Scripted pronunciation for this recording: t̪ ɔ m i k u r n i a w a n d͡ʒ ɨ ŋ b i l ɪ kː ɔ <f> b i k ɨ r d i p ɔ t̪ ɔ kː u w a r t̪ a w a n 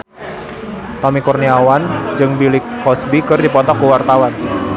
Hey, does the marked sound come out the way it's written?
no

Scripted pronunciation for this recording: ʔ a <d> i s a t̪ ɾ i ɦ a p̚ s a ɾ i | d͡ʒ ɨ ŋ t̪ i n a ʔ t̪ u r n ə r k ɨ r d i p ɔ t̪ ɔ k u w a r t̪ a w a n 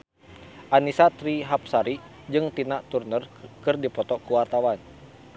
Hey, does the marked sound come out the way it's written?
no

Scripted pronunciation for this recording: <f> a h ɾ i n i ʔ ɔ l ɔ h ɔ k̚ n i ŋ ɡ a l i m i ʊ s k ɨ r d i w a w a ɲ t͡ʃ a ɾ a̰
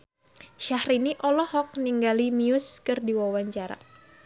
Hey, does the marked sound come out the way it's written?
no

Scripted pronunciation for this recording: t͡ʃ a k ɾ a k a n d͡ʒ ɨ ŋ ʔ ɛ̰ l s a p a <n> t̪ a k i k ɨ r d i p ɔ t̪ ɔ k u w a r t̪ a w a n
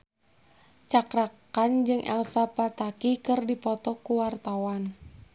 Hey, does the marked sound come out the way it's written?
no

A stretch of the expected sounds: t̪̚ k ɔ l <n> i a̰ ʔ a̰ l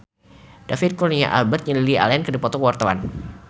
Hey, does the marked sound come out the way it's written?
yes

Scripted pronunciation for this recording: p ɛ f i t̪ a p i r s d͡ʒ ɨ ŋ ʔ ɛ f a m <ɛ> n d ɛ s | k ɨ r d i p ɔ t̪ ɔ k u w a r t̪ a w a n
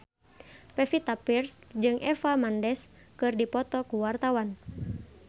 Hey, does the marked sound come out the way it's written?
no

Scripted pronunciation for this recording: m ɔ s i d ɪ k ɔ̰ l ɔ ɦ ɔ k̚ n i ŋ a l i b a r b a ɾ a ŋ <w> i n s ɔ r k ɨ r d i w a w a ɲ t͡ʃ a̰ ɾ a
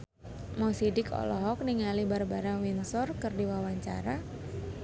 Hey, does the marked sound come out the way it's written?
yes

